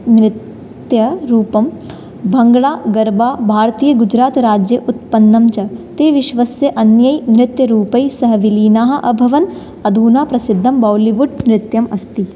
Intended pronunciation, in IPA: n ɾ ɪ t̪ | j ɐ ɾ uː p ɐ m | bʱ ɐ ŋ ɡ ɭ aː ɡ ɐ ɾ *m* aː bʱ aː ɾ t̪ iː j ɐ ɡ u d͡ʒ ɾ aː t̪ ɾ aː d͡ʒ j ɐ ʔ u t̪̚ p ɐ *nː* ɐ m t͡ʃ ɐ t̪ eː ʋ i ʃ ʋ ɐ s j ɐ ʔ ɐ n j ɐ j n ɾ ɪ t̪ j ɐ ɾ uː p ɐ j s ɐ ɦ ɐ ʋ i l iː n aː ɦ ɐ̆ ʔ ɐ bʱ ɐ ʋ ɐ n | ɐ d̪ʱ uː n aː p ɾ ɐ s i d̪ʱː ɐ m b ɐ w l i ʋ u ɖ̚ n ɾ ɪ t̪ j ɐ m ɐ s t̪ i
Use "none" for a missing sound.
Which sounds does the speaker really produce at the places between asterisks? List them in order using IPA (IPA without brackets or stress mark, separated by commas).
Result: b, nː